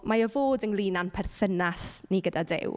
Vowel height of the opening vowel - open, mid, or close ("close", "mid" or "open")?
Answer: open